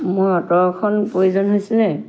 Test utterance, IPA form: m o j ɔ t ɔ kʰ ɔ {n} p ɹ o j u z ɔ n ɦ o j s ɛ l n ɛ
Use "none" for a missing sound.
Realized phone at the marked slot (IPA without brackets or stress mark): n